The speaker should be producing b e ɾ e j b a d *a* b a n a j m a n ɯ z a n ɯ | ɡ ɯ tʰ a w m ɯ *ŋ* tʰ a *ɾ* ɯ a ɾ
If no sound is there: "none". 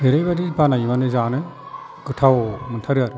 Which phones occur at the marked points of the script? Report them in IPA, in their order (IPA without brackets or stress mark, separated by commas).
i, n, ɾ